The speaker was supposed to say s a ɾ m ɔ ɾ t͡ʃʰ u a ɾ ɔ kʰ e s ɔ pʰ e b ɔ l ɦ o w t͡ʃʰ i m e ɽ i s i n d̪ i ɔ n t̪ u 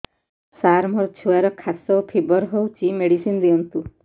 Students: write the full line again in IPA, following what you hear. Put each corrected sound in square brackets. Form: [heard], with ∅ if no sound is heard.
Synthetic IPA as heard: s a ɾ m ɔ ɾ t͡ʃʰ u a ɾ ɔ kʰ [a] s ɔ pʰ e b ɔ [ɾ] ɦ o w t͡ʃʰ i m e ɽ i s i n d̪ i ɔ n t̪ u

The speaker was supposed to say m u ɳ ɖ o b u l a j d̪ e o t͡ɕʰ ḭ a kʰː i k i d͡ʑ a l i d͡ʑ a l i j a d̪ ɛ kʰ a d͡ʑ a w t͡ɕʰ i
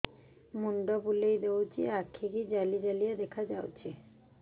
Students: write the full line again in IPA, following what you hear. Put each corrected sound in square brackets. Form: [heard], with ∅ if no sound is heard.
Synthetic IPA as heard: m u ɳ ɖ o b u l [e] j d̪ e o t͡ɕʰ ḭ a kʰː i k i d͡ʑ a l i d͡ʑ a l i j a d̪ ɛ kʰ a d͡ʑ a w t͡ɕʰ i

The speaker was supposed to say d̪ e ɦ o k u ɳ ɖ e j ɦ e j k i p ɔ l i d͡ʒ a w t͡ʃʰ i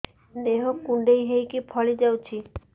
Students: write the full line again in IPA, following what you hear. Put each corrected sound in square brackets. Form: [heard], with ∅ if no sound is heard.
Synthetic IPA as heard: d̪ e ɦ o k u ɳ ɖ e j ɦ e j k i [pʰ] ɔ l i d͡ʒ a w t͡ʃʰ i

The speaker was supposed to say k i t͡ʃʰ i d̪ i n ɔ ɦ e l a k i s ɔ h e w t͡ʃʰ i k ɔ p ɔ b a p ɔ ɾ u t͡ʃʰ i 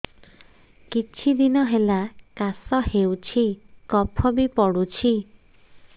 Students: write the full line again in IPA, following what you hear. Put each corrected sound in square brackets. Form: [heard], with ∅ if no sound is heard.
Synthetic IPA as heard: k i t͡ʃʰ i d̪ i n ɔ ɦ e l a k [a] s ɔ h e w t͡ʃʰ i k ɔ [pʰ] ɔ b [i] p ɔ [ɽ] u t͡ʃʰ i

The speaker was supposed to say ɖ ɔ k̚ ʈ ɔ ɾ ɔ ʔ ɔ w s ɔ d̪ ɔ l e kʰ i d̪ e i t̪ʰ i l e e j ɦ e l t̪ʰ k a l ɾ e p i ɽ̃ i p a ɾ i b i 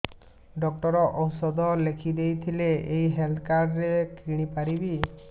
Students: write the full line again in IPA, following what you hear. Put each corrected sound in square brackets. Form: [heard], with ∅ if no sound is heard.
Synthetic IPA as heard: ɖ ɔ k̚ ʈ ɔ ɾ ɔ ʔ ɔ w s ɔ d̪ ɔ l e kʰ i d̪ e [j] t̪ʰ i l e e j ɦ e l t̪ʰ k a [ɾ] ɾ e [k] i ɽ̃ i p a ɾ i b i

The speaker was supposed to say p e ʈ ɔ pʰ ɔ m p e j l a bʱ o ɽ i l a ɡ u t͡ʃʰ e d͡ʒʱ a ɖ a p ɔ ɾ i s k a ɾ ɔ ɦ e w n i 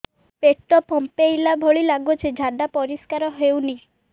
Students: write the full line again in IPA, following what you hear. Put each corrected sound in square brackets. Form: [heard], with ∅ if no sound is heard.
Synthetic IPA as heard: p e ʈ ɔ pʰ ɔ m p e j l a bʱ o [ɭ] i l a ɡ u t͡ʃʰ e d͡ʒʱ a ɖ a p ɔ ɾ i s k a ɾ ɔ ɦ e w n i

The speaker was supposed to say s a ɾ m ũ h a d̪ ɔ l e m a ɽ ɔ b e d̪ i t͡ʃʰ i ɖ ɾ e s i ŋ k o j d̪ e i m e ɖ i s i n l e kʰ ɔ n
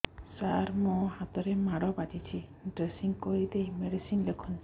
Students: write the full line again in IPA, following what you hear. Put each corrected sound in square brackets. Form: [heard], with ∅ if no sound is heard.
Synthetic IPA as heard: s a ɾ m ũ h a [t̪] ɔ [ɾ] e m a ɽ ɔ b [a] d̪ i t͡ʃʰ i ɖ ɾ e s i ŋ k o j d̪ e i m e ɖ i s i n l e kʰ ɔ n

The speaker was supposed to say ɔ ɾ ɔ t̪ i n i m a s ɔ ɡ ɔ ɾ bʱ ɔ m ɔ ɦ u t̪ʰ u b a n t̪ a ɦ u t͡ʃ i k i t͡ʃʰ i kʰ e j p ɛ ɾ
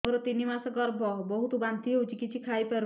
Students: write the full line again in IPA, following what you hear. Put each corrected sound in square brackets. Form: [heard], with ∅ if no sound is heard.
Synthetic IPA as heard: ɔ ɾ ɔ t̪ i n i m a s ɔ ɡ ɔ ɾ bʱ ɔ [b] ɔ ɦ u [t̪] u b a n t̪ [i] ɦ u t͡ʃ i k i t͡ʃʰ i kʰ [a] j p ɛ ɾ

